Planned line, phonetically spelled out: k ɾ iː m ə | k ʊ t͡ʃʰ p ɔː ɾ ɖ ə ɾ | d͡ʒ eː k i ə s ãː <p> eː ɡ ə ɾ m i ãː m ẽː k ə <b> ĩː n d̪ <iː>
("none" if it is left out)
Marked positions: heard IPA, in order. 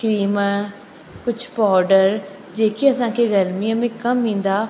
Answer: k, m, aː

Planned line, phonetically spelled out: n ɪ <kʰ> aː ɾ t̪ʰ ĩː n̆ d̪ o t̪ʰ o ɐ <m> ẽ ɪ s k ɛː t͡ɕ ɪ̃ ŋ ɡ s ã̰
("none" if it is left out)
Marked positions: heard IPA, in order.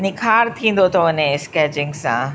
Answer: kʰ, n

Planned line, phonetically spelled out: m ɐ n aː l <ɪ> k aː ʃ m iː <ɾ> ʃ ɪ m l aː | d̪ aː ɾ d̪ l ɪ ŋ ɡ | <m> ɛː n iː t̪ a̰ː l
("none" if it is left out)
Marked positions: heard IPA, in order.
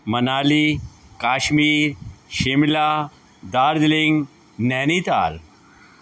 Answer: i, ɾ, n

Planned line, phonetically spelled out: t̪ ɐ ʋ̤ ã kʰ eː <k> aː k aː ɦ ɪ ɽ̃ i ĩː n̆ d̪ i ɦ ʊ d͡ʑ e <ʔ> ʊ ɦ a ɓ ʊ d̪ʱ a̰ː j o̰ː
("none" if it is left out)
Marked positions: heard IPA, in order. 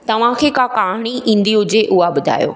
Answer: k, ʔ

